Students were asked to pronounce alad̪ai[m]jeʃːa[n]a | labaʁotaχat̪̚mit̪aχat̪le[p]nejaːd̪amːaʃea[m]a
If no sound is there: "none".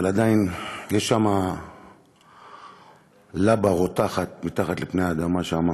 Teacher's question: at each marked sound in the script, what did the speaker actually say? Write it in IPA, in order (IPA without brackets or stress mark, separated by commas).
n, m, p, m